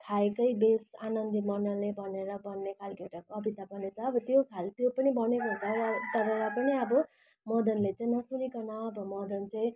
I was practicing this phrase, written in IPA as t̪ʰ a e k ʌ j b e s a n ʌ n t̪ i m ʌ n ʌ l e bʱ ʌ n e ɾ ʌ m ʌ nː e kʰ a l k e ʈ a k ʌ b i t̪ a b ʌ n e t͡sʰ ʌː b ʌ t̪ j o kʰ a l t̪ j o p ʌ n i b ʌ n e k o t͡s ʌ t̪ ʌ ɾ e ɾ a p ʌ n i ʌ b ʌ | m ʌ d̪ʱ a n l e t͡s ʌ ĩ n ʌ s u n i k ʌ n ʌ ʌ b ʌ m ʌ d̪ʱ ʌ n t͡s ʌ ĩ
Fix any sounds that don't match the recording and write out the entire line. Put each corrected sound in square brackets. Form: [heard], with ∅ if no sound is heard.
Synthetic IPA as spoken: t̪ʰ a e k ʌ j b e s a n ʌ n [d̪] i m ʌ n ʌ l e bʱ ʌ n e ɾ ʌ [b] ʌ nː e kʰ a l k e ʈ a k ʌ b i t̪ a b ʌ n e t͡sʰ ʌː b ʌ t̪ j o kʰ a l t̪ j o p ʌ n i b ʌ n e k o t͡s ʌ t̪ ʌ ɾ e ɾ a p ʌ n i ʌ b ʌ | m ʌ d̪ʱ [ʌ] n l e t͡s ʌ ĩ n ʌ s u n i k ʌ n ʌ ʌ b ʌ m ʌ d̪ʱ ʌ n t͡s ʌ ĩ